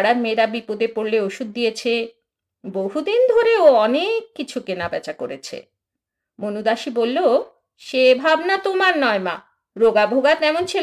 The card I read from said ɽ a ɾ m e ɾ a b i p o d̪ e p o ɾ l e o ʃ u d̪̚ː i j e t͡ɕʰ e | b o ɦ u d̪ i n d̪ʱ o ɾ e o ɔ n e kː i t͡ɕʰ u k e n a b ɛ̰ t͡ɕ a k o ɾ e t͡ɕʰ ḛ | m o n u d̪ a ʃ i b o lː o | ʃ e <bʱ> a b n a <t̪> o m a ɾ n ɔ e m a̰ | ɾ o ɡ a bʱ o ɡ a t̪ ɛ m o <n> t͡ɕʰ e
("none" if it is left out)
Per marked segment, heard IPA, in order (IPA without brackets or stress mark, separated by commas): bʱ, t̪, n